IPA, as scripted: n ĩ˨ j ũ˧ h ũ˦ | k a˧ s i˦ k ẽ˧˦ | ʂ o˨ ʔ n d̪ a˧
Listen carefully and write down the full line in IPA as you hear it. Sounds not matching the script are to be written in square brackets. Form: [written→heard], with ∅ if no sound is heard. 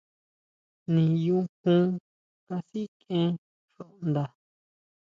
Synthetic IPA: n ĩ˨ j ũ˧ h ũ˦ | k a˧ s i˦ k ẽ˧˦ | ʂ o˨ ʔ n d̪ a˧